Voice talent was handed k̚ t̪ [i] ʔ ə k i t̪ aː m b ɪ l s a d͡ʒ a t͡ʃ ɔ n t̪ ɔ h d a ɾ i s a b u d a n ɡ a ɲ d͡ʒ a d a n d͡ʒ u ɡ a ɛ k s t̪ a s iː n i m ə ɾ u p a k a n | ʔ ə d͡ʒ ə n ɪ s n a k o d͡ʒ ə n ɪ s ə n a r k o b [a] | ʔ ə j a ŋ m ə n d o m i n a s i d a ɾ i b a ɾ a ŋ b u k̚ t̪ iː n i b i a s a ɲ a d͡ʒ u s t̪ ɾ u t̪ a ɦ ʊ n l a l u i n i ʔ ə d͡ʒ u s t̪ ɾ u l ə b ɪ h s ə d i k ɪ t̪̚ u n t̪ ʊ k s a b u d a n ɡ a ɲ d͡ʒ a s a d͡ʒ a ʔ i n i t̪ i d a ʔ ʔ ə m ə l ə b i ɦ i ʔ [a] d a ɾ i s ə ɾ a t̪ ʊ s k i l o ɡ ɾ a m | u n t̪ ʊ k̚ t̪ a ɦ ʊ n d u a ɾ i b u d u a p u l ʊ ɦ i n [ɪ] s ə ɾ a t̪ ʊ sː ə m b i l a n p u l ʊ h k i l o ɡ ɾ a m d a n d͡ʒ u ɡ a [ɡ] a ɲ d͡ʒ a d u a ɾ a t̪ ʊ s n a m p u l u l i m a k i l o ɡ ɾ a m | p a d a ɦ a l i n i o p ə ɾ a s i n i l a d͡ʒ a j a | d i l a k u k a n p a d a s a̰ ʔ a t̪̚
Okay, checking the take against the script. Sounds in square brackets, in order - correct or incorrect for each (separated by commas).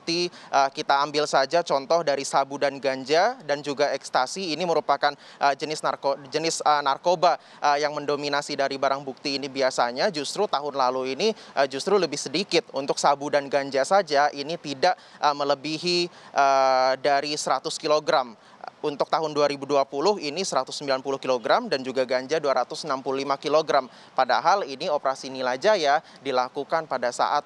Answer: correct, correct, incorrect, incorrect, correct